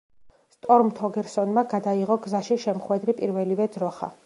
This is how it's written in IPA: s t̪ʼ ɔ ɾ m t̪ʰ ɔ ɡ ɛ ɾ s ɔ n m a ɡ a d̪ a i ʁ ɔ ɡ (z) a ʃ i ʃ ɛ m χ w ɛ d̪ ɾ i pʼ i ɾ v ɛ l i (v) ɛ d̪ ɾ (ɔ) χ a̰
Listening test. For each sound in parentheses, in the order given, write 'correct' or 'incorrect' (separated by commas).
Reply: correct, correct, correct